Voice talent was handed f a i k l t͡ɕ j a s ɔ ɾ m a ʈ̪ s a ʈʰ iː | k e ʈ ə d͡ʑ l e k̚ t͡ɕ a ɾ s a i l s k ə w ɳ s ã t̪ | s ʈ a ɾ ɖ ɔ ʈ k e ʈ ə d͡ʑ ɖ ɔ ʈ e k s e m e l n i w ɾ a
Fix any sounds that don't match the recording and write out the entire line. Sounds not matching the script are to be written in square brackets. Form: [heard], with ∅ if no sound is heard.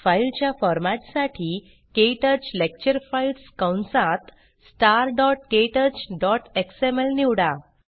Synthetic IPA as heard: f a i [∅] l t͡ɕ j a [f] ɔ ɾ m a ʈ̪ s a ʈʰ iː | k e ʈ ə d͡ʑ l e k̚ t͡ɕ [ə] ɾ [f] a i l s k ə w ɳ s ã t̪ | s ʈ a ɾ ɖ ɔ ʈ k e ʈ ə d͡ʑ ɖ ɔ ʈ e k s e m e l n i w [ɽ] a

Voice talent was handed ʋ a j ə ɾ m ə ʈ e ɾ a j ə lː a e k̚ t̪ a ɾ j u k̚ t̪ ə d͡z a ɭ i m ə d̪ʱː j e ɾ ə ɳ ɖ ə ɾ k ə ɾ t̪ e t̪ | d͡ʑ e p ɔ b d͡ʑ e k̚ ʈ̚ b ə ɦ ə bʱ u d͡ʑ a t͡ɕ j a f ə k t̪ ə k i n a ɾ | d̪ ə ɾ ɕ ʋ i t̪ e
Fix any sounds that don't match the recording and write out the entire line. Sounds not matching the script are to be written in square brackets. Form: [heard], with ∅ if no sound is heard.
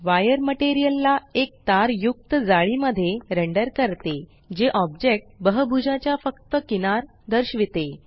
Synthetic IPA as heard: ʋ a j ə ɾ m ə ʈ e ɾ [i] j ə lː a e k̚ t̪ a ɾ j u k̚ t̪ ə d͡z a ɭ i m ə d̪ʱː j e ɾ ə ɳ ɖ ə ɾ k ə ɾ t̪ e [∅] | d͡ʑ e [ʔ] ɔ b d͡ʑ e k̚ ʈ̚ b ə ɦ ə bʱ u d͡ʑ a t͡ɕ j a f ə k t̪ ə k i n a ɾ | d̪ ə ɾ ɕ ʋ i t̪ e

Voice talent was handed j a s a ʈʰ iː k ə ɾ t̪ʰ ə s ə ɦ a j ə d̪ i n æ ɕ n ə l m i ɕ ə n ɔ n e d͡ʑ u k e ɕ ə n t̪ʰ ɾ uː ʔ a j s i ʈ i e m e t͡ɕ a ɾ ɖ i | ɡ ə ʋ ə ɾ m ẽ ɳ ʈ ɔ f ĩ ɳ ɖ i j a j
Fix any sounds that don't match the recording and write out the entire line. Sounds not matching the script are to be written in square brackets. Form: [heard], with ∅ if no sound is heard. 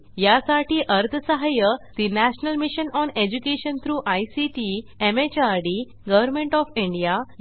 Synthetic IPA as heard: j a s a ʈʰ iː [ʔ] ə ɾ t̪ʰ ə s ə ɦ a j ə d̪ i n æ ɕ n ə l m i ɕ ə n ɔ n e d͡ʑ u k e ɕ ə n t̪ʰ ɾ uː ʔ a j s i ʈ i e m e t͡ɕ a ɾ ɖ i | ɡ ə ʋ ə ɾ m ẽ ɳ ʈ ɔ f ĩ ɳ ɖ i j a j

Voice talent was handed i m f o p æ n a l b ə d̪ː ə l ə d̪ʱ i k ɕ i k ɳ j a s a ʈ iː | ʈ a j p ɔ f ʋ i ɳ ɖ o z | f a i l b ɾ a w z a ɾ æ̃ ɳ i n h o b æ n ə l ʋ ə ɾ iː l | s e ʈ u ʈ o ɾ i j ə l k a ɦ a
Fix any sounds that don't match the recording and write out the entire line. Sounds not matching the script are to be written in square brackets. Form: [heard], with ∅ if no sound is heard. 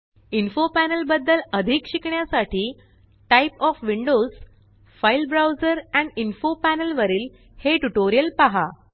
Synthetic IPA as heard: i [n] f o p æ n [ə] l b ə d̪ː ə l ə d̪ʱ i k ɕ i k ɳ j a s a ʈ iː | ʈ a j p ɔ f ʋ i ɳ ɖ o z | f a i l b ɾ a w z [ə] ɾ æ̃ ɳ i n [f] o [p] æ n ə l ʋ ə ɾ iː l | [h] e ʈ u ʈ o ɾ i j ə l [p] a ɦ a

